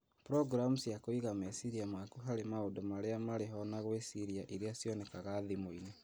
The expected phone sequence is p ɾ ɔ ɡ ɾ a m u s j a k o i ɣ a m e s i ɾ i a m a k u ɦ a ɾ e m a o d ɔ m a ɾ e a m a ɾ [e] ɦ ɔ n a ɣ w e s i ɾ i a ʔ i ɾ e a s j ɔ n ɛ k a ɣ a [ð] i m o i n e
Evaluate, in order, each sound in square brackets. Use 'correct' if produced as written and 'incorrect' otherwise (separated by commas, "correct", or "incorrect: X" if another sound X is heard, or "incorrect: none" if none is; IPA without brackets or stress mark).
correct, correct